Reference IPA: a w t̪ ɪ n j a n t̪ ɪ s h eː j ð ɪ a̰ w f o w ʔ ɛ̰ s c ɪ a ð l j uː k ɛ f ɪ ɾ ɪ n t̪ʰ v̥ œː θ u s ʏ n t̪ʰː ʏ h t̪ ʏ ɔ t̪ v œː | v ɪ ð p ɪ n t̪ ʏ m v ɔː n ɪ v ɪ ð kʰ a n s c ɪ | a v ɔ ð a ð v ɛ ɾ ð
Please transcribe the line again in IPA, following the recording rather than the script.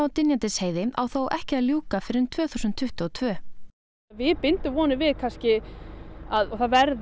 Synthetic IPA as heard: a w t̪ ɪ n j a n t̪ ɪ s h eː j ð ɪ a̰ w θ o w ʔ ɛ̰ h c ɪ a ð l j uː k a f ɪ ɾ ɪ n t̪ʰ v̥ œː θ u s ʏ n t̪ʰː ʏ h t̪ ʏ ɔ t̪ʰ v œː | v ɪ ð p ɪ n t̪ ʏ m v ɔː n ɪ v ɪ ð kʰ a n s c ɪ | a ð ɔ θ a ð v ɛ ɾ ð